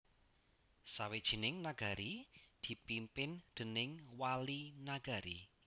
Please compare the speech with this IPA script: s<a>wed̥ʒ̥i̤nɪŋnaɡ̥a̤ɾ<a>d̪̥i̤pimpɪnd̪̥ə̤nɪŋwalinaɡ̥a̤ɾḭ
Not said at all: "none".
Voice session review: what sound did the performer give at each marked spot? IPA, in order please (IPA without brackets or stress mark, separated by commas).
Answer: a, i